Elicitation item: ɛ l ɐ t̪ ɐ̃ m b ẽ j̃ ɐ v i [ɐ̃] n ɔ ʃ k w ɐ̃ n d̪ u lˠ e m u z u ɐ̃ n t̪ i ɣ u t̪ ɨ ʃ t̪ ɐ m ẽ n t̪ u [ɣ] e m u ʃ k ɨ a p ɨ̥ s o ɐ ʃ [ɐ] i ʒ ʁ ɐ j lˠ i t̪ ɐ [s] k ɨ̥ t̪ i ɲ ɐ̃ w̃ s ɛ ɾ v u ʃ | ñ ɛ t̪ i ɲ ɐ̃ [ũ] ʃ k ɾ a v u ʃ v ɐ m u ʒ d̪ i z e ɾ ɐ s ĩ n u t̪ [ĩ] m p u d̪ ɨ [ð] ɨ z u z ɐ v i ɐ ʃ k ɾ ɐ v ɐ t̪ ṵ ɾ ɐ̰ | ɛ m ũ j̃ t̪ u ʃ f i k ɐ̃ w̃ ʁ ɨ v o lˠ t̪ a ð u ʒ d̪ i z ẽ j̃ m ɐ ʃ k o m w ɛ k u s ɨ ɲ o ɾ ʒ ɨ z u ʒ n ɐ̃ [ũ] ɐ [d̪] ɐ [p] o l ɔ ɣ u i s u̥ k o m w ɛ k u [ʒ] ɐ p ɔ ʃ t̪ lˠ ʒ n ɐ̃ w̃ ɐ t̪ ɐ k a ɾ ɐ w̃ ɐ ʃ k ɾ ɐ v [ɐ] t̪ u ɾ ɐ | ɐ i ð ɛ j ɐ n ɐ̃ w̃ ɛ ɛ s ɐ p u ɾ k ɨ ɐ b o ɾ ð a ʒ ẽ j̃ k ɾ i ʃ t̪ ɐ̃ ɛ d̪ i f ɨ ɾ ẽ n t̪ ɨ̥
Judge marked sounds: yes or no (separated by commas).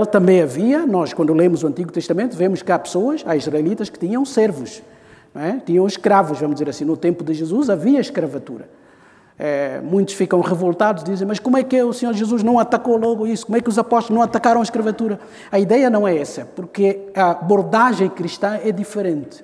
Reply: no, no, no, no, no, no, no, no, no, no, no, yes